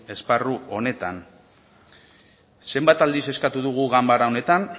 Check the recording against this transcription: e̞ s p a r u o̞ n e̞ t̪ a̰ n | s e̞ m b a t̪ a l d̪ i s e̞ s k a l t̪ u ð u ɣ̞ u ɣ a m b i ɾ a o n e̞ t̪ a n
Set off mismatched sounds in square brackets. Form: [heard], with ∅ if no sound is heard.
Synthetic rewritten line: e̞ s p a r u o̞ n e̞ t̪ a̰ n | s e̞ m b a t̪ a l d̪ i s e̞ s k a [∅] t̪ u ð u ɣ̞ u ɣ a m b [a] ɾ a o n e̞ t̪ a n